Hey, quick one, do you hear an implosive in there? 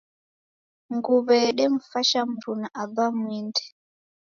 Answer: yes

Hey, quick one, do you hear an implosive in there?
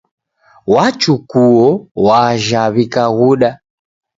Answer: yes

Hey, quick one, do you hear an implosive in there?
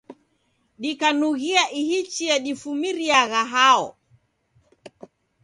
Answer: yes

